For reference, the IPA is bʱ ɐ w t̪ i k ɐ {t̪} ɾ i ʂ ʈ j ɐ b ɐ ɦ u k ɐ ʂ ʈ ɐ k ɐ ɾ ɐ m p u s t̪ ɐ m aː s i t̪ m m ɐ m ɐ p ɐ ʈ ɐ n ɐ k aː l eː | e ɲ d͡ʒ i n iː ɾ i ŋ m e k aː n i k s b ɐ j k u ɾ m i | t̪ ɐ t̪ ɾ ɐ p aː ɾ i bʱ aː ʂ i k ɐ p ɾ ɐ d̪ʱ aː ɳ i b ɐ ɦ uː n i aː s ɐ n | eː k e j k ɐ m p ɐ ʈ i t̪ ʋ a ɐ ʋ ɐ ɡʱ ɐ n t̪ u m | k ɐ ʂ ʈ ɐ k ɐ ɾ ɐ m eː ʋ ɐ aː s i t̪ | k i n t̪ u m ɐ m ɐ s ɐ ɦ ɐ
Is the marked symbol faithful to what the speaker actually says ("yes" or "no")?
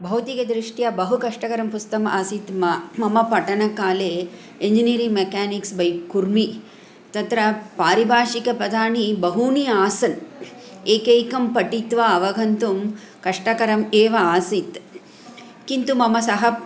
no